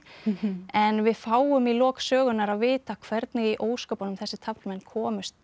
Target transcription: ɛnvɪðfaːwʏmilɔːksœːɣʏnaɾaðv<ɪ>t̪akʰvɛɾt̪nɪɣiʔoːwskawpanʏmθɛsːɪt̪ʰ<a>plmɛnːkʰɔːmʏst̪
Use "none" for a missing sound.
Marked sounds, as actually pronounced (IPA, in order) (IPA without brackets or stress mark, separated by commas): ɪː, a